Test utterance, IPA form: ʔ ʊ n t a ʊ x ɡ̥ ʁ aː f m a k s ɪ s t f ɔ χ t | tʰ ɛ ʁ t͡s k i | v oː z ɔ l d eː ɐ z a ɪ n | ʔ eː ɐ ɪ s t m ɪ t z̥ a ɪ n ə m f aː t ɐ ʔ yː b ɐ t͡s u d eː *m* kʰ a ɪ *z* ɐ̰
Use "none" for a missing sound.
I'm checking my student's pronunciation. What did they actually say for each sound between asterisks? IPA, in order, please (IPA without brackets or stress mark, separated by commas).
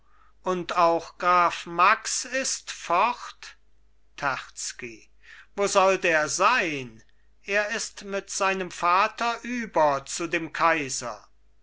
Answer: m, z